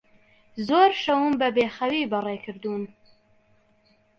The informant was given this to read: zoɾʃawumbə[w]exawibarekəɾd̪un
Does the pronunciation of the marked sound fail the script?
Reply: yes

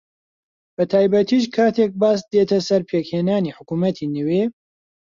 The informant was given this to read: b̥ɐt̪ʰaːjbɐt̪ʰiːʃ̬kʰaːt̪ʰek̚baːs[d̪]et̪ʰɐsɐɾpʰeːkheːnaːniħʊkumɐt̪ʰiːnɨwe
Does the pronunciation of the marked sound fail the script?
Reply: no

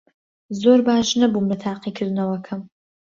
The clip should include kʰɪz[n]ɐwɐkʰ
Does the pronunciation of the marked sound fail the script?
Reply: no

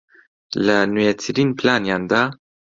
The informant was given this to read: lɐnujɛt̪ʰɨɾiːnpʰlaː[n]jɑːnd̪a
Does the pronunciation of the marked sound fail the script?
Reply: no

